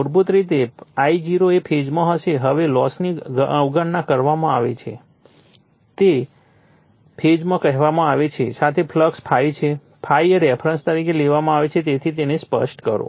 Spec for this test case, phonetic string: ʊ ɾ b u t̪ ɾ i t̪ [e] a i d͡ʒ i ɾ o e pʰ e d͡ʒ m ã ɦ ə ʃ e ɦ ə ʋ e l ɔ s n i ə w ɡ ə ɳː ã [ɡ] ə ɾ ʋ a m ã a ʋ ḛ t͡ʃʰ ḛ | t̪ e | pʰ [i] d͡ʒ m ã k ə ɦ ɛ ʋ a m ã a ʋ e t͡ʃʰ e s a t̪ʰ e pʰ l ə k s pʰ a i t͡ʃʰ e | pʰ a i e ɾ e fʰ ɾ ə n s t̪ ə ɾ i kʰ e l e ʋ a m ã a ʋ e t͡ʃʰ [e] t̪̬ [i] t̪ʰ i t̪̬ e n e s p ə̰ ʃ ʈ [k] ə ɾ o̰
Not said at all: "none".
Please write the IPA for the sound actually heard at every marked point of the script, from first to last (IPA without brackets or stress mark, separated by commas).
e, k, e, e, e, k